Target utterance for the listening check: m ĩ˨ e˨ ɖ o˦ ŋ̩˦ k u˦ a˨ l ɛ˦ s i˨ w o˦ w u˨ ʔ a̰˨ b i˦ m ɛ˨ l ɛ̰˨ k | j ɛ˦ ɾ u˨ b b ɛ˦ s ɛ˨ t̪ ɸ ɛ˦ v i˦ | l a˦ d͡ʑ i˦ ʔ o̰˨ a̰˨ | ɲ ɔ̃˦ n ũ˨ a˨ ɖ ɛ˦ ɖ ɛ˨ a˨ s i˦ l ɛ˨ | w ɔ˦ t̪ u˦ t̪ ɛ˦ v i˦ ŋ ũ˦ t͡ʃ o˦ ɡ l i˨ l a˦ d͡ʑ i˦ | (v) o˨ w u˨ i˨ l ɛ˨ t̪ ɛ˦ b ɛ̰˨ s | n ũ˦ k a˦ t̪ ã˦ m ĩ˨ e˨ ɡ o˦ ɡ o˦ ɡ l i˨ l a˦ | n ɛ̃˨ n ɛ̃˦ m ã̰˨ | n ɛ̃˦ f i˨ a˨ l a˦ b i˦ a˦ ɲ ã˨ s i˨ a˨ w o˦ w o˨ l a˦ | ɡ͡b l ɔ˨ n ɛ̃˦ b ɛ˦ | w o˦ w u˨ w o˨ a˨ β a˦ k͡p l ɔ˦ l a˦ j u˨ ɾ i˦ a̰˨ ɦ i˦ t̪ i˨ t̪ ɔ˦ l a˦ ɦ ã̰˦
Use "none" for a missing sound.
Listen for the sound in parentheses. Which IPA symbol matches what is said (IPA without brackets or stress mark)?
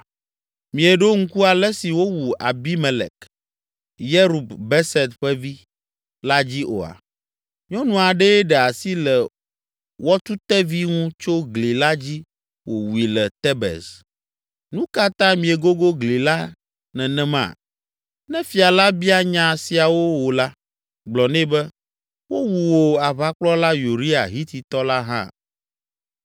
w